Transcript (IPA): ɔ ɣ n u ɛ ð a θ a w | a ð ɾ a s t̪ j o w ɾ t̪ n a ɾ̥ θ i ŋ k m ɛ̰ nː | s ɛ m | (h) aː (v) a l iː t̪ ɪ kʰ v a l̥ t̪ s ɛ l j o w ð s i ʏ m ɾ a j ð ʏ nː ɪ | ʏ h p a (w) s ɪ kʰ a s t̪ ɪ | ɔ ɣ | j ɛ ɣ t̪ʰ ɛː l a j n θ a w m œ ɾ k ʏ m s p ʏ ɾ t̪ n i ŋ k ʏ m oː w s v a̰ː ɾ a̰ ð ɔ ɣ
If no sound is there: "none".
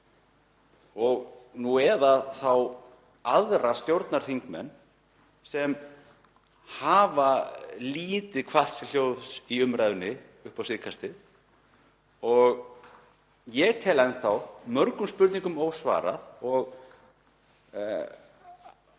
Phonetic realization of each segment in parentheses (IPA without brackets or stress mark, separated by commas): h, v, w